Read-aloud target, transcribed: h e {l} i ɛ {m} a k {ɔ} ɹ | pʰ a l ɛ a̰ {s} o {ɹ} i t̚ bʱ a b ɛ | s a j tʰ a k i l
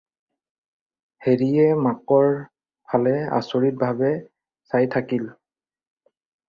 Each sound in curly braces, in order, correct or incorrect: incorrect, correct, correct, correct, correct

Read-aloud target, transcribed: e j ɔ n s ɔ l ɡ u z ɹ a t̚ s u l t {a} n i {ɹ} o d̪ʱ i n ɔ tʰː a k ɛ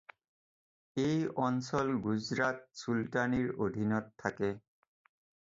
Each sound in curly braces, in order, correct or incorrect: correct, correct

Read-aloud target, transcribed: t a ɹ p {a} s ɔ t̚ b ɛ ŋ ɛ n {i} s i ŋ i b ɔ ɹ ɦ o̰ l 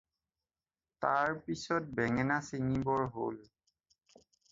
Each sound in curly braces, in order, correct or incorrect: incorrect, incorrect

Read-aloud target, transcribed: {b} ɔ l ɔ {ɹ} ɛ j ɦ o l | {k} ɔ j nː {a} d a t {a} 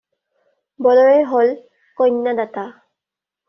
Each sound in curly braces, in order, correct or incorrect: correct, correct, correct, correct, correct

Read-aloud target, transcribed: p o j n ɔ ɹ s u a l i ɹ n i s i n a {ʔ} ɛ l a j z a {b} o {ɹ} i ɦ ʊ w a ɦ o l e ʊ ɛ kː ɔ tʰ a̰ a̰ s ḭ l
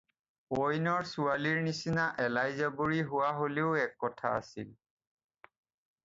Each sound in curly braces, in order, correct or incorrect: correct, correct, correct

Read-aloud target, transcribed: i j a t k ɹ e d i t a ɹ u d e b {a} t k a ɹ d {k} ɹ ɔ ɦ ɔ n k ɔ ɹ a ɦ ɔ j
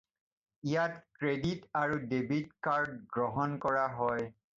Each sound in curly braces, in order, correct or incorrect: incorrect, incorrect

